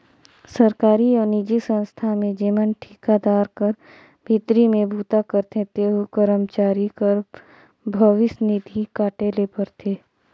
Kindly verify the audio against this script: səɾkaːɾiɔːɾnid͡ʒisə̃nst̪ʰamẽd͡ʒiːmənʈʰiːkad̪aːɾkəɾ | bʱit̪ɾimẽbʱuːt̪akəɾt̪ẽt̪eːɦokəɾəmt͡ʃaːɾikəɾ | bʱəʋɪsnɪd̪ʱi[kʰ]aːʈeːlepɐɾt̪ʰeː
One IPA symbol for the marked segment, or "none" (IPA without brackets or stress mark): k